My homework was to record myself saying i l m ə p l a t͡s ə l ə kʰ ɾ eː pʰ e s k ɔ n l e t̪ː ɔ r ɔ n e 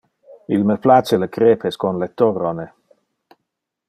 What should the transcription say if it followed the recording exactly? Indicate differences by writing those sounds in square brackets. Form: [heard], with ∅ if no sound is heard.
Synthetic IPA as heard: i l m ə p l a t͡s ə l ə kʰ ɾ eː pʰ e s k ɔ n l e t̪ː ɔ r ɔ n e